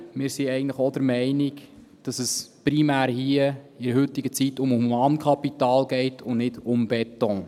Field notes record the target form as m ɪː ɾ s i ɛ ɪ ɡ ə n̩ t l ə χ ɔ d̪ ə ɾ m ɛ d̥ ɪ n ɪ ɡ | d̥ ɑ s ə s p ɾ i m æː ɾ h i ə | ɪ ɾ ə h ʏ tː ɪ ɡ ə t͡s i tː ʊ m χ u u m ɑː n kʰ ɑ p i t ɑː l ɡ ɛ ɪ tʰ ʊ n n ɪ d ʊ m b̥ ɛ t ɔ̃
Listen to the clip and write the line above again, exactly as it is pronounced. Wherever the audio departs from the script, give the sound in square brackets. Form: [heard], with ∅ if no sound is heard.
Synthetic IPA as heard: m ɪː ɾ s i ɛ ɪ ɡ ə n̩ t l ə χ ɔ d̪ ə ɾ m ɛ [∅] ɪ n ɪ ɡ | d̥ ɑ s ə s p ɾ i m æː ɾ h i ə | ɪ ɾ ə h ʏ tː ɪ ɡ ə t͡s i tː ʊ m [h] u u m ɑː n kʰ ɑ p i t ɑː l ɡ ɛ ɪ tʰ ʊ n n ɪ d ʊ m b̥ ɛ t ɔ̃